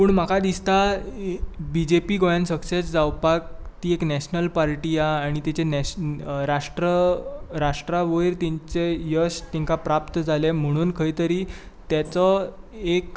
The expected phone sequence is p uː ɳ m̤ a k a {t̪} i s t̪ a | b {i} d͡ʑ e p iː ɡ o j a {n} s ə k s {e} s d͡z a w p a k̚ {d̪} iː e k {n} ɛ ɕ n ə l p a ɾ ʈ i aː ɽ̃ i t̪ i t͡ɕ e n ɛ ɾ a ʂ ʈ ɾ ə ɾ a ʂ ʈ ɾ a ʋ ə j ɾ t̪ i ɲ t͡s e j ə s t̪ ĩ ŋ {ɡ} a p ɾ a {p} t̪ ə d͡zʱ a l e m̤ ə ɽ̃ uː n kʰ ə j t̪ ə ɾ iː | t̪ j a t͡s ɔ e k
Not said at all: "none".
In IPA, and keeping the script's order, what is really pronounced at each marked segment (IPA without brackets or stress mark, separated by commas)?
d̪, i, n, e, t̪, n, k, p